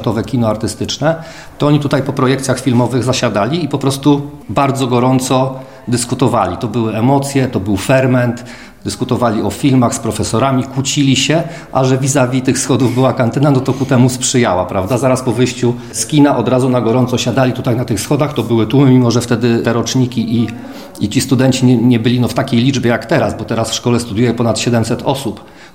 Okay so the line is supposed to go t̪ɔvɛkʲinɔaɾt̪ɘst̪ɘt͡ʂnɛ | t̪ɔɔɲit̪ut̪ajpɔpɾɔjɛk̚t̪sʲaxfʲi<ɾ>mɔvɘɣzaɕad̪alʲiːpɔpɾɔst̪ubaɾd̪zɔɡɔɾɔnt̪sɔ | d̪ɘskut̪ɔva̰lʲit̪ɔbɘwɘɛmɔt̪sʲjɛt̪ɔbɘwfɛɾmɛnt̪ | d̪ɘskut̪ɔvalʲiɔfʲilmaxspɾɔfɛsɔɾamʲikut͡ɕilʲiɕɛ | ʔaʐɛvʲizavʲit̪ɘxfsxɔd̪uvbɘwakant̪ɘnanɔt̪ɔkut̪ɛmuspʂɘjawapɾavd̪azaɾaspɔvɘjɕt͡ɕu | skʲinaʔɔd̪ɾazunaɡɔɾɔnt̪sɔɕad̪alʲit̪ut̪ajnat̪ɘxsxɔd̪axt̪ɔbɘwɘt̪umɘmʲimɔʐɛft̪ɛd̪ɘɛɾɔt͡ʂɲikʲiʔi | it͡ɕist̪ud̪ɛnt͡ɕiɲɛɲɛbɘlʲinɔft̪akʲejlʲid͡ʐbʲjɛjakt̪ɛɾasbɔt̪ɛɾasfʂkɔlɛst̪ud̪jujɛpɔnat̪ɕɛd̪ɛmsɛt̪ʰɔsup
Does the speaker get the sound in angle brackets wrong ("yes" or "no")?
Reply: yes